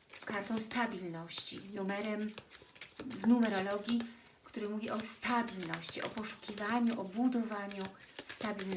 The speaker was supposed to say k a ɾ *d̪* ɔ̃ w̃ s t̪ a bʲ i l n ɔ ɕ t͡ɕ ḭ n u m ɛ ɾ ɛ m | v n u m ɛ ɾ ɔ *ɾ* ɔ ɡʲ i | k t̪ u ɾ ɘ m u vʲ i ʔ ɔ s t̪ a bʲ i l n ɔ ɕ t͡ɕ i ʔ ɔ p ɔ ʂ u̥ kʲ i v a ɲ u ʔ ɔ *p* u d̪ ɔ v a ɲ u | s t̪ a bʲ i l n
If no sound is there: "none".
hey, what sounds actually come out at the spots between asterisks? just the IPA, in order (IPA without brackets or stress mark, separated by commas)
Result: t̪, l, b